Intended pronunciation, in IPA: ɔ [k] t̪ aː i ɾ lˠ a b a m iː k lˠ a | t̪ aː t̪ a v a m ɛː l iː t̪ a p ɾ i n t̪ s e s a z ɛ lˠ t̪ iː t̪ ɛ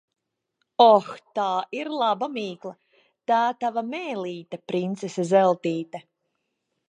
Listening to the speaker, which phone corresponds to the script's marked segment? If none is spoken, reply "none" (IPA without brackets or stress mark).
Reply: x